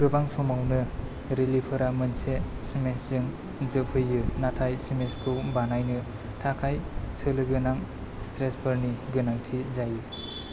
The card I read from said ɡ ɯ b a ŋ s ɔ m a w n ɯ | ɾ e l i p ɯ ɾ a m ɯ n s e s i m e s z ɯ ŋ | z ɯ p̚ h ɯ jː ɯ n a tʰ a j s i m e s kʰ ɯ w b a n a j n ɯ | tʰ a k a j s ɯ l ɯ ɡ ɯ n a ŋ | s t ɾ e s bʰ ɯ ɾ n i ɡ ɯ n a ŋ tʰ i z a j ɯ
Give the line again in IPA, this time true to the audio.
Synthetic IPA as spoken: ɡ ɯ b a ŋ s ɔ m a w n ɯ | ɾ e l i pʰ ɯ ɾ a m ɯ n s e s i m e s z ɯ ŋ | z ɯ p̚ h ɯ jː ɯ n a tʰ a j s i m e s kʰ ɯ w b a n a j n ɯ | tʰ a kʰ a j s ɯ l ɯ ɡ ɯ n a ŋ | s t ɾ e s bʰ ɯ ɾ n i ɡ ɯ n a ŋ tʰ i z a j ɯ